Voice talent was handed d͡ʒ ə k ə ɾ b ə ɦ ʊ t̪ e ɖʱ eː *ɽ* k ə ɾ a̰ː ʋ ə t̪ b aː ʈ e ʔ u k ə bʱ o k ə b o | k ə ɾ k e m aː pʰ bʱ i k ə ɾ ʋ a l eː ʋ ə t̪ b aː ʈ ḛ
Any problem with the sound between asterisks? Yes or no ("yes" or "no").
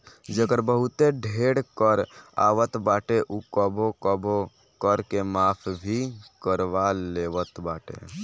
no